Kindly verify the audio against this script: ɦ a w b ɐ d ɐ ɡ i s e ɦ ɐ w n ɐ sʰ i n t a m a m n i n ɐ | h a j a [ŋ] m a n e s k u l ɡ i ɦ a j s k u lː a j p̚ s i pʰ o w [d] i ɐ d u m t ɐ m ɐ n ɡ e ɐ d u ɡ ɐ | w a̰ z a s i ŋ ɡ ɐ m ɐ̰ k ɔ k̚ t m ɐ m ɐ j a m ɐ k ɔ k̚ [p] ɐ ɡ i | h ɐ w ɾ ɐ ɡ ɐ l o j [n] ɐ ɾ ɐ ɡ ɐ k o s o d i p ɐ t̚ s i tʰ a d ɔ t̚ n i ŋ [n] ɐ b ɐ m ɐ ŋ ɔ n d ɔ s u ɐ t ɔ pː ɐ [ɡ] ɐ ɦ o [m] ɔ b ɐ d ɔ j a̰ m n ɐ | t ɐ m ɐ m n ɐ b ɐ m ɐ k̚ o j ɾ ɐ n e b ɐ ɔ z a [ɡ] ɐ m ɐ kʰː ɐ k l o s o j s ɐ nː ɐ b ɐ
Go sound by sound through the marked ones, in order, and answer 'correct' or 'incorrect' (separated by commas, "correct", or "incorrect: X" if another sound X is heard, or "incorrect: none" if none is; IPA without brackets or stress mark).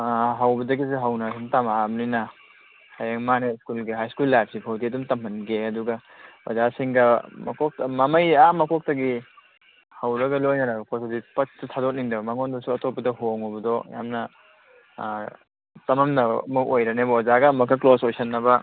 correct, correct, incorrect: t, correct, incorrect: d, incorrect: d, incorrect: ŋ, correct